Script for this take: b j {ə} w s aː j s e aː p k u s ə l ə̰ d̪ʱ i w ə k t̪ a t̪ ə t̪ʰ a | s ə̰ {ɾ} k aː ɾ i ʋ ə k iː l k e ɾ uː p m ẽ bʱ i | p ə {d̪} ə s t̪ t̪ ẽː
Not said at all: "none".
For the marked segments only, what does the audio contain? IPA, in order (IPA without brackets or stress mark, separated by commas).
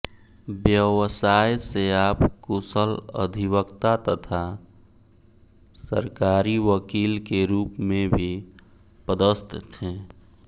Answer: ə, ɾ, d̪